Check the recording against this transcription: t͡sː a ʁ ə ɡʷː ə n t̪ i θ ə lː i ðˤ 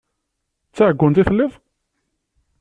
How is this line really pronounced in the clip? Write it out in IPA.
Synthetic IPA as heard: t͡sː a ʕ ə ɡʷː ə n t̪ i θ ə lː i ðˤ